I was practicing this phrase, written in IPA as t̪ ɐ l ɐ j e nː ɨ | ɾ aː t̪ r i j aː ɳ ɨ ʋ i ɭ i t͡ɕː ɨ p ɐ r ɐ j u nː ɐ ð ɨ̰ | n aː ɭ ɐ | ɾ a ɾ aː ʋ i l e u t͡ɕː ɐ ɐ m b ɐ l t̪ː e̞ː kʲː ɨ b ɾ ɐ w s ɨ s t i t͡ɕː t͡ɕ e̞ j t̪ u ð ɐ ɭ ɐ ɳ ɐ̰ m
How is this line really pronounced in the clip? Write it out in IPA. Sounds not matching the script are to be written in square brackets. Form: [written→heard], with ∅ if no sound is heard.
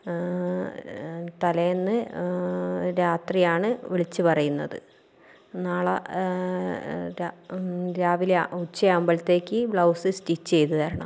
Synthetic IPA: t̪ ɐ l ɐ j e nː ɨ | ɾ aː t̪ r i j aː ɳ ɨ ʋ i ɭ i t͡ɕː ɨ p ɐ r ɐ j u nː ɐ ð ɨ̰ | n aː ɭ ɐ | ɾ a ɾ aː ʋ i l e u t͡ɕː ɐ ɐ m b ɐ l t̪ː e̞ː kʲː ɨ b [ɾ→ɭ] ɐ w s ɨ s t i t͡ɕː t͡ɕ e̞ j t̪ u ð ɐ [ɭ→ɾ] ɐ ɳ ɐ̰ m